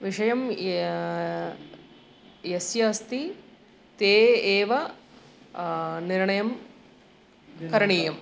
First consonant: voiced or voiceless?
voiced